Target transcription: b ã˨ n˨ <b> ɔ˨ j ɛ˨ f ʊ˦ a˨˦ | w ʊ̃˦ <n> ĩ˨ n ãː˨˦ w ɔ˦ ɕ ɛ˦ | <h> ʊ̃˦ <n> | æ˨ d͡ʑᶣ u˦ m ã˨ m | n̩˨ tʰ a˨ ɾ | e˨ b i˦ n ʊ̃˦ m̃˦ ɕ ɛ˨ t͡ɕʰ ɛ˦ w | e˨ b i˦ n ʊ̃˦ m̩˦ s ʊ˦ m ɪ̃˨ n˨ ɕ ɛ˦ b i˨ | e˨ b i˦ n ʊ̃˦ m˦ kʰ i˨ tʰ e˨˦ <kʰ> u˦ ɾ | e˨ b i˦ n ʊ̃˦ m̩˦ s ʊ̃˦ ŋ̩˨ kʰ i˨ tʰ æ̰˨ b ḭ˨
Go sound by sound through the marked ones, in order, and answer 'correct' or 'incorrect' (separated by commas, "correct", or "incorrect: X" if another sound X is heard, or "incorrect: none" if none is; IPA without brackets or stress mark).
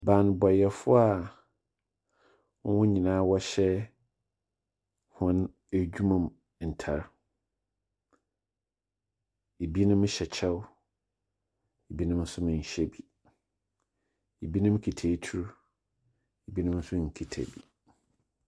correct, incorrect: ɲ, correct, correct, incorrect: tʰ